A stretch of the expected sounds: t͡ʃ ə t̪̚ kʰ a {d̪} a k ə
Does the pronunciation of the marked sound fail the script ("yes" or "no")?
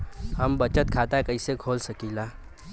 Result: yes